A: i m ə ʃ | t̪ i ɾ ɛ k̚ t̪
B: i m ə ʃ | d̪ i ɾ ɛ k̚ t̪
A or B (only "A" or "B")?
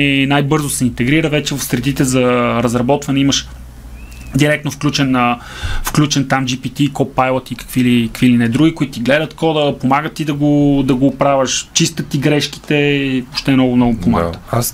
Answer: B